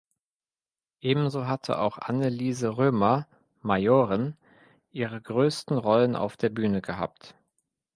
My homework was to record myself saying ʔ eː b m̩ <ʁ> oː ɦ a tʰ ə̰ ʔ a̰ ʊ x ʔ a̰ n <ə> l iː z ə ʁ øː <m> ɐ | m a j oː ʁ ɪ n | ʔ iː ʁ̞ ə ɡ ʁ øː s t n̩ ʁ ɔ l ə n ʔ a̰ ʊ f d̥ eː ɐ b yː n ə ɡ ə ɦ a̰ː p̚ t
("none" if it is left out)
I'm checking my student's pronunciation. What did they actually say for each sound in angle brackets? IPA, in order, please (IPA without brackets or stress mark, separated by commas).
z, ə, m